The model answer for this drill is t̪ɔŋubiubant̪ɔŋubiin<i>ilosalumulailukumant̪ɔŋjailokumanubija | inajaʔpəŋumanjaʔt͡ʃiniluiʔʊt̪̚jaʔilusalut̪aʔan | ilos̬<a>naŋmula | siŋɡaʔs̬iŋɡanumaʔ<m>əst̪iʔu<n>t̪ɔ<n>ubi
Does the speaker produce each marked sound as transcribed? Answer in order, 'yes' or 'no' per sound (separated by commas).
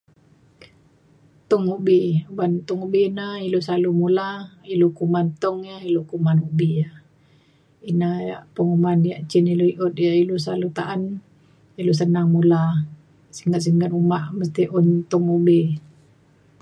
no, no, yes, yes, no